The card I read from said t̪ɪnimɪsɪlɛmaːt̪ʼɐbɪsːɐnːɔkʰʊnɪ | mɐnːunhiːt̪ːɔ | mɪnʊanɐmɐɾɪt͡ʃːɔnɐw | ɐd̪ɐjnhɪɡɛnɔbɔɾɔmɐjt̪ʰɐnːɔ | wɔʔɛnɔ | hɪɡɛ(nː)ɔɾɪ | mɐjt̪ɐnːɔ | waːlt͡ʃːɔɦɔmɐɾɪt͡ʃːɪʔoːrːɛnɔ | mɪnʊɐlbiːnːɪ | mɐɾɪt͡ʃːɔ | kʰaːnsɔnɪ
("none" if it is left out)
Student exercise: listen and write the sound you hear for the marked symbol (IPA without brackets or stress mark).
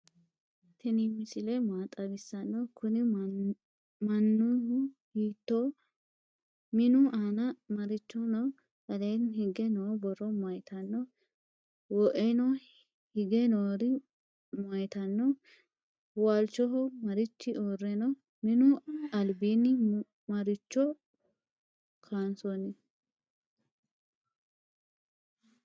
n